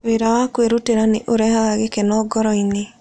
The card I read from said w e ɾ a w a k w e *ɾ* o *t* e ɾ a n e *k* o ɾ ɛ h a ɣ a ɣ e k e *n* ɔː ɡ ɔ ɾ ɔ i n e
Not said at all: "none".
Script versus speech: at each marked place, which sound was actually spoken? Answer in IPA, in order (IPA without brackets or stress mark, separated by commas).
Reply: ɾ, t, ʔ, n